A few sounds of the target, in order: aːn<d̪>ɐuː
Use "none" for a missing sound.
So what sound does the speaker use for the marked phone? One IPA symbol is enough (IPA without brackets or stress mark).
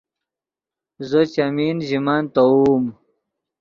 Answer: t̪